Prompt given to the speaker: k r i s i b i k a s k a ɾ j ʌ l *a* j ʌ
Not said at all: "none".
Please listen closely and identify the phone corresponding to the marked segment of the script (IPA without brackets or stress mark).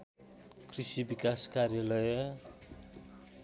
ʌ